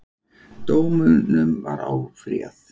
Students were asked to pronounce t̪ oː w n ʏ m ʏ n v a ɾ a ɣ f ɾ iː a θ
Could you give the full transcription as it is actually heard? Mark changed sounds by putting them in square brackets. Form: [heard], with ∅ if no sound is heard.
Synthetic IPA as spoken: t̪ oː w [m] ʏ [n] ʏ [m] v a ɾ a [w] f ɾ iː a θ